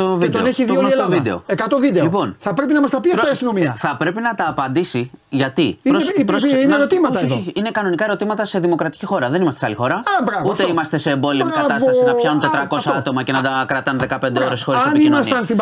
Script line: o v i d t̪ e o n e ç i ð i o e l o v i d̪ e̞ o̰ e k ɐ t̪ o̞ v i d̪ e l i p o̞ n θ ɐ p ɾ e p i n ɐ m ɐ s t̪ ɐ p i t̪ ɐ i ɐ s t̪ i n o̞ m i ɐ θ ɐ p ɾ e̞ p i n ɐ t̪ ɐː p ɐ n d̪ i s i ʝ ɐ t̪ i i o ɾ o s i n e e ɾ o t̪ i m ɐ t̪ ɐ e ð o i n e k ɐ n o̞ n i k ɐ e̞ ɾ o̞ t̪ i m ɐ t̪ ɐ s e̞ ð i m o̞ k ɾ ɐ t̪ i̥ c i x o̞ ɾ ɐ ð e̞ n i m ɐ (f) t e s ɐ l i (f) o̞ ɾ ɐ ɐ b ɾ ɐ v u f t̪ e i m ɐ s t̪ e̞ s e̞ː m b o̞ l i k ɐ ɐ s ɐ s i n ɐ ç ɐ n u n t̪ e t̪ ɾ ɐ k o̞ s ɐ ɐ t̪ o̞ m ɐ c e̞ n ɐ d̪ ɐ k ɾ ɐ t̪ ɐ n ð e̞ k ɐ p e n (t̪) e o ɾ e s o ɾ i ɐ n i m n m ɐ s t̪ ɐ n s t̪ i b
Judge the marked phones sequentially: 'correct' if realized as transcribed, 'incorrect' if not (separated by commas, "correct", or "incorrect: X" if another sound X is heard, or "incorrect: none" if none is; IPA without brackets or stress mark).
incorrect: s, incorrect: x, incorrect: d̪